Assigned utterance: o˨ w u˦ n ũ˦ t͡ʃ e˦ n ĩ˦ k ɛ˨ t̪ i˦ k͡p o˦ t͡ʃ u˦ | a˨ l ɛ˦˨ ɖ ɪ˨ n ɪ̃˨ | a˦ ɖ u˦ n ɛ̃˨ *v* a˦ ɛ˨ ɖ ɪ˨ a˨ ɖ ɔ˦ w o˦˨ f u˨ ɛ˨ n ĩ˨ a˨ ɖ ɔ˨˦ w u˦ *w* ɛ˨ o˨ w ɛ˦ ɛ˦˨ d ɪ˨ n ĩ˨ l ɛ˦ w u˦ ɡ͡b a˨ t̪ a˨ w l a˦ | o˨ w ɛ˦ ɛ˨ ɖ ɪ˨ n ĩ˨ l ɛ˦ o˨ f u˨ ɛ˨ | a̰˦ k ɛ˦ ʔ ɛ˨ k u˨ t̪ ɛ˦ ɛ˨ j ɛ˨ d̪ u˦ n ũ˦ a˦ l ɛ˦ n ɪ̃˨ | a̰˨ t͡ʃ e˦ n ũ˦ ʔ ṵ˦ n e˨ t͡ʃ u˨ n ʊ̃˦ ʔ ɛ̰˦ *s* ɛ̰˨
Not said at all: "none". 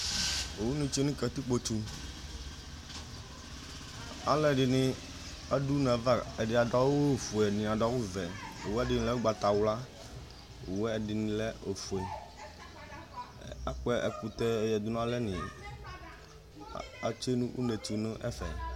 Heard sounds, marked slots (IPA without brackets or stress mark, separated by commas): v, v, f